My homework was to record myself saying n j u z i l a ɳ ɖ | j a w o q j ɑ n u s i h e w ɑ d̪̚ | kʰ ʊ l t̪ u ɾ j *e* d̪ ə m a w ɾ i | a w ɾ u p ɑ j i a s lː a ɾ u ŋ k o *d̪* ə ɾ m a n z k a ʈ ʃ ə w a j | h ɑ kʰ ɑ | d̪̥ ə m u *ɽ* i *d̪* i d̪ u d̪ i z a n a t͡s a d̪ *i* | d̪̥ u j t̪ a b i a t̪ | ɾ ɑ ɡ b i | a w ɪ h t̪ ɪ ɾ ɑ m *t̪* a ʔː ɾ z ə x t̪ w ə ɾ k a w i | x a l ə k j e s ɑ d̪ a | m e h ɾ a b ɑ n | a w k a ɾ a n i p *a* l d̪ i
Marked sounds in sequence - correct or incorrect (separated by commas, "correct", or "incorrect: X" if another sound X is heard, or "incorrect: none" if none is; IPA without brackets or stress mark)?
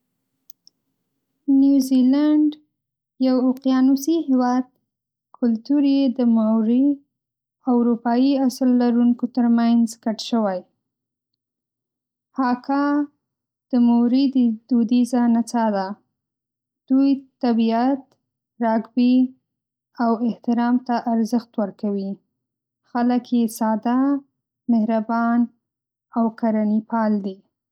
correct, incorrect: t̪, incorrect: ɾ, correct, incorrect: a, correct, incorrect: ɑ